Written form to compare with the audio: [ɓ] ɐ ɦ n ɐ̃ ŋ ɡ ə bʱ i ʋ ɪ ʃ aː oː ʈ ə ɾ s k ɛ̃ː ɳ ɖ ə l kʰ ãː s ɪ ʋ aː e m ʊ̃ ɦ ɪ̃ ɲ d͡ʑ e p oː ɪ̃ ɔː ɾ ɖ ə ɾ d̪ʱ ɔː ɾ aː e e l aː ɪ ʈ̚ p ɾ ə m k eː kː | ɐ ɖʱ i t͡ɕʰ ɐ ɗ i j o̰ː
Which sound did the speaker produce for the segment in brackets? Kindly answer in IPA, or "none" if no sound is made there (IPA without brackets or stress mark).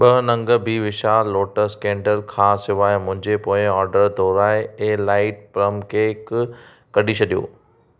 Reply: ɓ